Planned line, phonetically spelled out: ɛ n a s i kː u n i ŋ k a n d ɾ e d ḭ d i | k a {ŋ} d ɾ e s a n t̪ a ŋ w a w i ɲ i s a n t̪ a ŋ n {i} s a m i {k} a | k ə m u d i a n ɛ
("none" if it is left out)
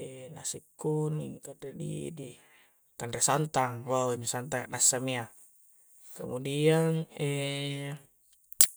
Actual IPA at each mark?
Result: n, a, none

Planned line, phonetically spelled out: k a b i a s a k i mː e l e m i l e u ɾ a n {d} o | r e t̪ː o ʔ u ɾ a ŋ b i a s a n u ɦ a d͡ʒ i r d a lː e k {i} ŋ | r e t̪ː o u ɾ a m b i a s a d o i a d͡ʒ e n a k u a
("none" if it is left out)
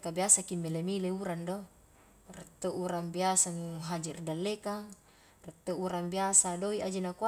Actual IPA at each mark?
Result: d, a

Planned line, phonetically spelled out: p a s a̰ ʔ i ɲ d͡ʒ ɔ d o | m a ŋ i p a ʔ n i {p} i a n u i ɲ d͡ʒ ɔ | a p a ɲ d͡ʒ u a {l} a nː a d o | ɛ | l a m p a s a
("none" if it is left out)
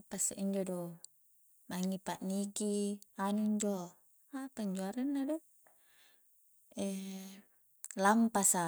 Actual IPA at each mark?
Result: k, ɾ

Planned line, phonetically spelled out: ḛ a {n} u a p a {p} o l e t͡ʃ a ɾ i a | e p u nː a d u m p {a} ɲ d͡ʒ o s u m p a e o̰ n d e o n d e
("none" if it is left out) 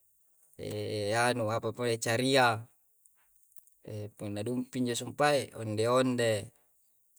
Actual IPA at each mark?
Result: n, p, i

